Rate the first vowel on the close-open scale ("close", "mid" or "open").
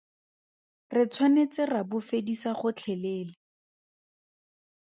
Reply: close